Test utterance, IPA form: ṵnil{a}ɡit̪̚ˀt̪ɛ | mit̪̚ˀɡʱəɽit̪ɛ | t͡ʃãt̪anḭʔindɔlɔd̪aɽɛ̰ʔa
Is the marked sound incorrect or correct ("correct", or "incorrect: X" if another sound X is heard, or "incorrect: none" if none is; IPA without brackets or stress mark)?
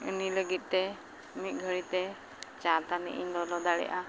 incorrect: ə